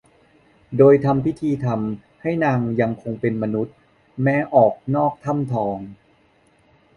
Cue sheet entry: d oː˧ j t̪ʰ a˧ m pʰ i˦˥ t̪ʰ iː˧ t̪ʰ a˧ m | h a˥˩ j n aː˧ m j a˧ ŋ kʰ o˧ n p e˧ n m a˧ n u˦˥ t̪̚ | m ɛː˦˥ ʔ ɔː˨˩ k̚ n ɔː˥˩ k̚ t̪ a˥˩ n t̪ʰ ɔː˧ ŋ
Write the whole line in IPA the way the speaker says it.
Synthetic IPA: d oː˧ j t̪ʰ a˧ m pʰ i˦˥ t̪ʰ iː˧ t̪ʰ a˧ m | h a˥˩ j n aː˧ ŋ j a˧ ŋ kʰ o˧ ŋ p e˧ n m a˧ n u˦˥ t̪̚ | m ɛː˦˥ ʔ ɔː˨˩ k̚ n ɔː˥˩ k̚ t̪ʰ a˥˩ m t̪ʰ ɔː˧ ŋ